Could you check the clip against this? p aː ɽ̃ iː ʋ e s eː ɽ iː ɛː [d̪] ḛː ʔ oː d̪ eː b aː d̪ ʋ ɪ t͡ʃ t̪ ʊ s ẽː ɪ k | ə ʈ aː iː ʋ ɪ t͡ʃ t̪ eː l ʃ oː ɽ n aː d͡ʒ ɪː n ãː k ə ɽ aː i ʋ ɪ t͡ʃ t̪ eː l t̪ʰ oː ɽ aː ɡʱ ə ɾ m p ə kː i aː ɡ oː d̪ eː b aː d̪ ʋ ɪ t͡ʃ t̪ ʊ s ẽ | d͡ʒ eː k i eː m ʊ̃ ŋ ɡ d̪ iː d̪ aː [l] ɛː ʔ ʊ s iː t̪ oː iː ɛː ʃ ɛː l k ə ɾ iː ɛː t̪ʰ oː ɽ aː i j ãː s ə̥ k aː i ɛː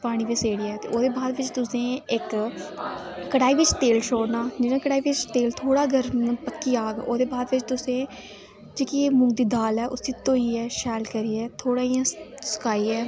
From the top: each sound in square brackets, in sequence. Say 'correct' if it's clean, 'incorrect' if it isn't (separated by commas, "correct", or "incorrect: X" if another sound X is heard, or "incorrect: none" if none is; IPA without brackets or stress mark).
incorrect: t̪, correct